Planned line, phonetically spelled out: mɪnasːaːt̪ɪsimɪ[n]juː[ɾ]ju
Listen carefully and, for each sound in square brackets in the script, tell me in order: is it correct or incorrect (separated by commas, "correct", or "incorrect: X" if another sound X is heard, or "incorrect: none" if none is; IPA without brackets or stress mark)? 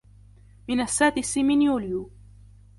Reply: correct, incorrect: l